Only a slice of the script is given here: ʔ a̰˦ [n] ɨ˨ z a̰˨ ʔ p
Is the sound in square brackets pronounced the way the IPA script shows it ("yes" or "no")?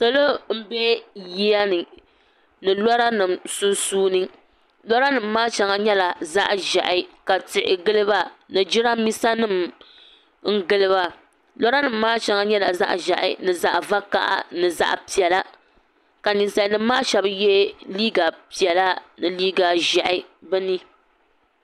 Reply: yes